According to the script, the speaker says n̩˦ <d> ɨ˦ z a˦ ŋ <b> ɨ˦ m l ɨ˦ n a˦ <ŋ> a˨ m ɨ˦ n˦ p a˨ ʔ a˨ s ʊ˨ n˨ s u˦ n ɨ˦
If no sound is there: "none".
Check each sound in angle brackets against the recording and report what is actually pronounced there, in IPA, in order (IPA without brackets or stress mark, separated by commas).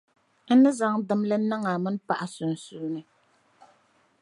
n, d, ŋ